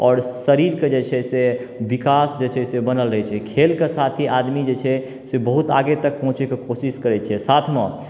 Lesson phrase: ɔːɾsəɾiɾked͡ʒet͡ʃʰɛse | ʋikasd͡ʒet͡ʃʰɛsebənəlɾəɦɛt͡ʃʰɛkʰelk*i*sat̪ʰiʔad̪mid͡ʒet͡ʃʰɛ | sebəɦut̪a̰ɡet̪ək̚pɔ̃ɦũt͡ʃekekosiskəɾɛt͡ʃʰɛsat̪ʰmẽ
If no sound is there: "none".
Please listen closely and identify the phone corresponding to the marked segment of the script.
e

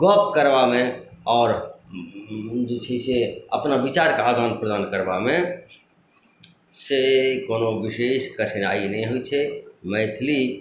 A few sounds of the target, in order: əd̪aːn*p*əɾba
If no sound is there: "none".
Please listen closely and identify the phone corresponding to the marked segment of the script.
k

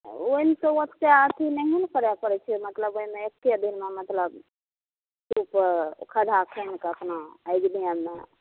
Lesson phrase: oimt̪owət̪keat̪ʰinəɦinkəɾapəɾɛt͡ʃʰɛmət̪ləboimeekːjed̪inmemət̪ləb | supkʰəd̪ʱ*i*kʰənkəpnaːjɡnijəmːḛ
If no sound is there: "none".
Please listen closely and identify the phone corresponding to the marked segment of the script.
a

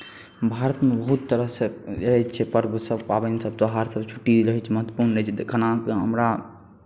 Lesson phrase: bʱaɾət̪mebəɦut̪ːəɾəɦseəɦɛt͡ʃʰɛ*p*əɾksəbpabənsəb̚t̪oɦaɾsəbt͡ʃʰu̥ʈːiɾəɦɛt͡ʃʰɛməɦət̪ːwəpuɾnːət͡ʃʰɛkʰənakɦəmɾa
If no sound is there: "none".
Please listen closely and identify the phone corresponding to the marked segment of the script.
p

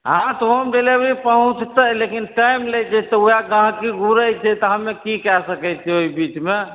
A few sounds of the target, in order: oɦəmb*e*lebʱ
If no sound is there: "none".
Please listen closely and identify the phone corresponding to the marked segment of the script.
e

